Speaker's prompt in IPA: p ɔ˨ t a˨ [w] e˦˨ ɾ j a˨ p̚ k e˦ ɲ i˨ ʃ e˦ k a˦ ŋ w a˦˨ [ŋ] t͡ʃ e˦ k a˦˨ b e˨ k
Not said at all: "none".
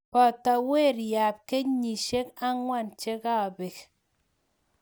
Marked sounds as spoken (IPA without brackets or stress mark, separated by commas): w, n